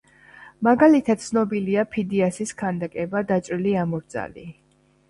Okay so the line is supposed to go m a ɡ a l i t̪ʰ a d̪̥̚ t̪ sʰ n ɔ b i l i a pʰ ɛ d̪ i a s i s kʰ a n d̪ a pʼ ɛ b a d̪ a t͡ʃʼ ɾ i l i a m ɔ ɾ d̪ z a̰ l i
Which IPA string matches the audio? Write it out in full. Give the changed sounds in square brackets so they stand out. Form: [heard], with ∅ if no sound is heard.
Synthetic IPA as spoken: m a ɡ a l i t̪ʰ a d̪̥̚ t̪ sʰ n ɔ b i l i a pʰ [i] d̪ i a s i s kʰ a n d̪ a [kʼ] ɛ b a d̪ a t͡ʃʼ ɾ i l i a m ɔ ɾ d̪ z a̰ l i